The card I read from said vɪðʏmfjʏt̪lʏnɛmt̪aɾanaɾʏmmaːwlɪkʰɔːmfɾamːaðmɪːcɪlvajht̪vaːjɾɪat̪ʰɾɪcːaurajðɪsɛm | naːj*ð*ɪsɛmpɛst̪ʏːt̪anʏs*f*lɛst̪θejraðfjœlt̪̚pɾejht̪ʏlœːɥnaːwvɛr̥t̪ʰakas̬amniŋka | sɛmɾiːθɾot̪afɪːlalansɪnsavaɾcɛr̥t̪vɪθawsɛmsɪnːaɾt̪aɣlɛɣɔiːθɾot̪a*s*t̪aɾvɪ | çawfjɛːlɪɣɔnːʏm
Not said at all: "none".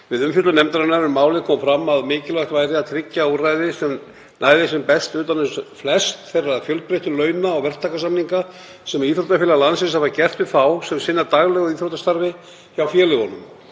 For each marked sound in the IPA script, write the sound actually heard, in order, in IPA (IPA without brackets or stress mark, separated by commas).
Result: ð, f, s